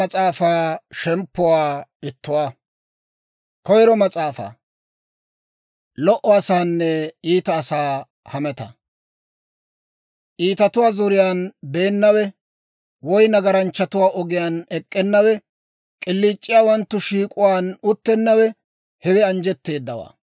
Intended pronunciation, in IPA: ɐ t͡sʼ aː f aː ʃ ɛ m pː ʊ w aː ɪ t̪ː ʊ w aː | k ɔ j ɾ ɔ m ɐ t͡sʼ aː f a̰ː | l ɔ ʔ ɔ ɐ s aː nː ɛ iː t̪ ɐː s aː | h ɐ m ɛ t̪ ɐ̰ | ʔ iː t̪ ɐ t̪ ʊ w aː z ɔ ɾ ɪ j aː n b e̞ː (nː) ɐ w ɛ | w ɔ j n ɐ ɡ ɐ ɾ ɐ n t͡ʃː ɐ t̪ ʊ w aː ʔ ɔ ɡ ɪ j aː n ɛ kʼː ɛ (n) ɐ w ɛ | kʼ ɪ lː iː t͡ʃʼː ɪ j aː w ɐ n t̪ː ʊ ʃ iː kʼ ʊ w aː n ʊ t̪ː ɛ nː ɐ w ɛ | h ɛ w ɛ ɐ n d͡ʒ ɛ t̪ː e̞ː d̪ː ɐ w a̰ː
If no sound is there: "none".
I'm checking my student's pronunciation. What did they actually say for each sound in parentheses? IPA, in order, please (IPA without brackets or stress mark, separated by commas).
nː, nː